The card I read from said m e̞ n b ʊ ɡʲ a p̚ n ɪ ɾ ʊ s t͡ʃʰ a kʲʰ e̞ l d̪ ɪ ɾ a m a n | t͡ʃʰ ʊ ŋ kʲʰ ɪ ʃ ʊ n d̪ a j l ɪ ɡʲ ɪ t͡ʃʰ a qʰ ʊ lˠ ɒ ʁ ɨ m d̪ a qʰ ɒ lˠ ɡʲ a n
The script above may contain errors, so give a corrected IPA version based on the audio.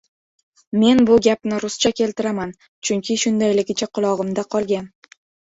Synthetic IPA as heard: m e̞ n b ʊ ɡʲ a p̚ n ɪ ɾ ʊ s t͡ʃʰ a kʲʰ e̞ l t̪ ɪ ɾ a m a n | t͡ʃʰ ʊ ŋ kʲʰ ɪ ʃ ʊ n d̪ a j l ɪ ɡʲ ɪ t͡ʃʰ a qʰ ʊ lˠ ɒ ʁ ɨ m d̪ a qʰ ɒ lˠ ɡʲ a n